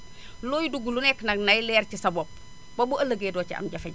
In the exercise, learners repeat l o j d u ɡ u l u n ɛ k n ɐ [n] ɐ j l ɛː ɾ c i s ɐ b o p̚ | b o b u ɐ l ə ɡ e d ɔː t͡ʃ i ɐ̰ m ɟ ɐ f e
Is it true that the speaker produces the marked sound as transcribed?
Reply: yes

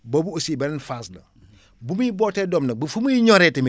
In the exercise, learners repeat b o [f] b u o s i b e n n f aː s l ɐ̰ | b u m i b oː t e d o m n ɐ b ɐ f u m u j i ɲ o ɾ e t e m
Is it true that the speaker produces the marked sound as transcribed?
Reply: no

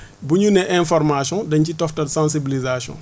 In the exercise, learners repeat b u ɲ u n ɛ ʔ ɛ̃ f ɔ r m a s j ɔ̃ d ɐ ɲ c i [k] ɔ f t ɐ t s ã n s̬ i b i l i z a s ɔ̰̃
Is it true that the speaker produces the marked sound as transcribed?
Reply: no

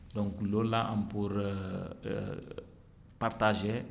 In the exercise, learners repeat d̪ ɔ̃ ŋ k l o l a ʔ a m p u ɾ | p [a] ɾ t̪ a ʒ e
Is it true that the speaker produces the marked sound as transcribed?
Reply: yes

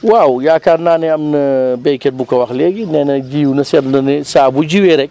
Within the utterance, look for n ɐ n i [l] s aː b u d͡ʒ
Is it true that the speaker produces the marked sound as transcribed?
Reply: no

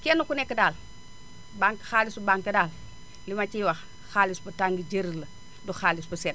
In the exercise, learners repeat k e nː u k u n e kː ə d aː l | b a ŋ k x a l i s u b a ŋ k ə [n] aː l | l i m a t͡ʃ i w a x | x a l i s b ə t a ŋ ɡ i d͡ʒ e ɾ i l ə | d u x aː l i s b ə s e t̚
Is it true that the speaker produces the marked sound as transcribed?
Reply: no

